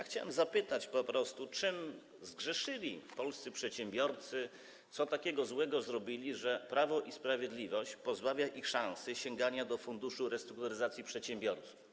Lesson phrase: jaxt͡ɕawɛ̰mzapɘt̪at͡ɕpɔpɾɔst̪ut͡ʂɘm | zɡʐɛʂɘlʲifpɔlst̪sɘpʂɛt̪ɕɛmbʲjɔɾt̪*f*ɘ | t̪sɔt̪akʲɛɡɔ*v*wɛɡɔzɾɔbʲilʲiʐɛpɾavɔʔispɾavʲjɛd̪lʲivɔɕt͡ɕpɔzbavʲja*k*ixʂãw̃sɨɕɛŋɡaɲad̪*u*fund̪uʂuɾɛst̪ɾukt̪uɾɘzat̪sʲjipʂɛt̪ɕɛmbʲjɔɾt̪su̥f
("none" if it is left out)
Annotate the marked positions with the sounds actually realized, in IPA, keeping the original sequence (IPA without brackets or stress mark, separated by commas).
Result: s, z, ʔ, ɔ